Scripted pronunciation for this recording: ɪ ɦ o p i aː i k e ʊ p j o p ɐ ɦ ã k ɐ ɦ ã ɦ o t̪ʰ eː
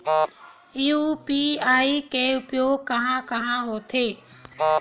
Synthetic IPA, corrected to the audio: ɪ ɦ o p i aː i k e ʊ p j o k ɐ ɦ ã k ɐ ɦ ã ɦ o t̪ʰ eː